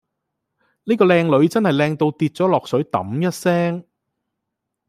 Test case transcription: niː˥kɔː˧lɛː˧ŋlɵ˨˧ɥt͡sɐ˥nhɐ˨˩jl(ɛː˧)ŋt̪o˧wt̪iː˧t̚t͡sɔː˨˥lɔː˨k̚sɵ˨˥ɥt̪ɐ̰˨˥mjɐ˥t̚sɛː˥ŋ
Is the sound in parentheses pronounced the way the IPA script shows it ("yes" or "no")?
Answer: yes